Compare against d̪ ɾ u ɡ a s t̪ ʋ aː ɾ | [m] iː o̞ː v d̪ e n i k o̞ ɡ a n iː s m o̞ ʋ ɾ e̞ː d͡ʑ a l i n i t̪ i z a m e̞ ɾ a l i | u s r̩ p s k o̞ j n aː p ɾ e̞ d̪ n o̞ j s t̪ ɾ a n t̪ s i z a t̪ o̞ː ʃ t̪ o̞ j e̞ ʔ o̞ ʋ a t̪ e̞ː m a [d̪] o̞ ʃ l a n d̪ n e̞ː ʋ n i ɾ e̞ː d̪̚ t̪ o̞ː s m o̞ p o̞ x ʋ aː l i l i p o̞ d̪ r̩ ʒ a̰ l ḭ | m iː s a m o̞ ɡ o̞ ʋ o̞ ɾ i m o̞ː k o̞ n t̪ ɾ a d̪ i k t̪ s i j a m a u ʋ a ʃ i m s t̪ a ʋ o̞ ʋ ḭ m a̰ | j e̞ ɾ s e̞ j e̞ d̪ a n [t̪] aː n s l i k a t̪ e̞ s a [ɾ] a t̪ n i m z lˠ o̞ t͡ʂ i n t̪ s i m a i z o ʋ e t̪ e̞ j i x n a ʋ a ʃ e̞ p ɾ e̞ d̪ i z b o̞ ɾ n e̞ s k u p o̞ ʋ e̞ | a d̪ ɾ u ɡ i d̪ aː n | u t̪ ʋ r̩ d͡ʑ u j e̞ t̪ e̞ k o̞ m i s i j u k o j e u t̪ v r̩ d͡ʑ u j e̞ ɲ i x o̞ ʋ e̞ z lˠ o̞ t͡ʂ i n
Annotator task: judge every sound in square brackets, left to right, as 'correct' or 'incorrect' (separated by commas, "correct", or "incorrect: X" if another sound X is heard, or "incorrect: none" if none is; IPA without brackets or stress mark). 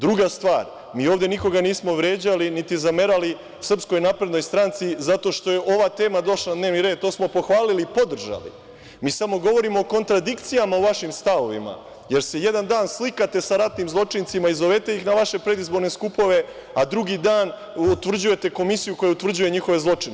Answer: correct, correct, incorrect: d̪, correct